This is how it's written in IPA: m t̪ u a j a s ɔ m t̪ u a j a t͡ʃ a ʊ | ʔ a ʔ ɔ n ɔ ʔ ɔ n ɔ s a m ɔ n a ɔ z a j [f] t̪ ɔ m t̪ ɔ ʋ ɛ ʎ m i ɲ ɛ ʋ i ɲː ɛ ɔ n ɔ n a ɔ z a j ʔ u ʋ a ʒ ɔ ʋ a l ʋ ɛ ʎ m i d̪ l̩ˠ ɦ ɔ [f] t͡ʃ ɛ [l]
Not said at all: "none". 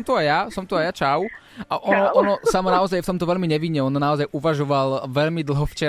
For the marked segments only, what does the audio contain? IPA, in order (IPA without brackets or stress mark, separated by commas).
f, f, none